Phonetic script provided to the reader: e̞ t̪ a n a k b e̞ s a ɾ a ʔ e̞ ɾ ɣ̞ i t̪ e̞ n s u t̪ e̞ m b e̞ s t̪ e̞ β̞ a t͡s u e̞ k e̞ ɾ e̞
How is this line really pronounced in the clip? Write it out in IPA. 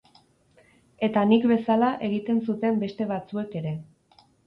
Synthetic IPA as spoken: e̞ t̪ a n i k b e̞ s a l a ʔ e̞ ɣ̞ i t̪ e̞ n s u t̪ e̞ m b e̞ s t̪ e̞ β̞ a t͡s u e̞ k e̞ ɾ e̞